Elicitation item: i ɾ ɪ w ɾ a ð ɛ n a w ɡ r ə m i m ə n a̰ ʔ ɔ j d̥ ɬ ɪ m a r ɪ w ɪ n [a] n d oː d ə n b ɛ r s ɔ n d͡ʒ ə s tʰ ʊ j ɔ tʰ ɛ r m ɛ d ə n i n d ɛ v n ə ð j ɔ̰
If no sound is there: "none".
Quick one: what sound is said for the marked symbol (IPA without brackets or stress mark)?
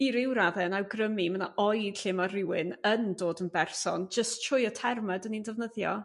ə